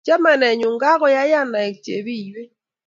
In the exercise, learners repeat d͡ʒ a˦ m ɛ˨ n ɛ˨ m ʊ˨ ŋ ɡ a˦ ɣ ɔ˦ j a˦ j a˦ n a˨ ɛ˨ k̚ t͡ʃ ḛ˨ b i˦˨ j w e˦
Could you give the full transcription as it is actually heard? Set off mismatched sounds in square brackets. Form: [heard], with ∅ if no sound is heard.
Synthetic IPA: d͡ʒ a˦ m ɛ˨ n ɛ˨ [ɲ] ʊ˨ ŋ ɡ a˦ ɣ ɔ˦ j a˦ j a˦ n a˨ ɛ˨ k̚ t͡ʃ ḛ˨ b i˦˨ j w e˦